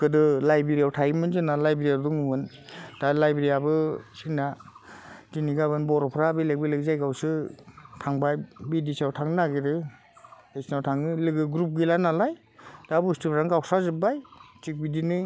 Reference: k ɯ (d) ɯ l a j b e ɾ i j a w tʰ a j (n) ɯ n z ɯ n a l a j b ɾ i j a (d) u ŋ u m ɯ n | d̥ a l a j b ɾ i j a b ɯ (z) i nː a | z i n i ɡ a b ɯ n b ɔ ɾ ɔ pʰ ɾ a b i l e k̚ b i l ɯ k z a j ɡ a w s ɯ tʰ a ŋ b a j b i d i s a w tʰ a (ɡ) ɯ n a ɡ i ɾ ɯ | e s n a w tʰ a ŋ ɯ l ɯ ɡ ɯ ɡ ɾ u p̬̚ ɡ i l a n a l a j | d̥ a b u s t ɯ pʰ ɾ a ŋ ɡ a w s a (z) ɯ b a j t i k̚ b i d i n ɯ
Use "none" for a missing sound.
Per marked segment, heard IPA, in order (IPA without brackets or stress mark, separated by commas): d, m, d, s, ŋ, z